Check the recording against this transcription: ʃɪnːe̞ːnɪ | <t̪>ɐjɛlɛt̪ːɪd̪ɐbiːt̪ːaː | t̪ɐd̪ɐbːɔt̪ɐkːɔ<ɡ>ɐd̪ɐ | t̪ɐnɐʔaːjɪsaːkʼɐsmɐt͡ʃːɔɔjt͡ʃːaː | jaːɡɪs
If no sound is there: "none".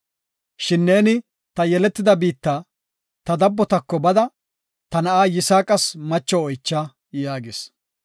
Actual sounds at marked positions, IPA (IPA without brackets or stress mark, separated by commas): t̪, b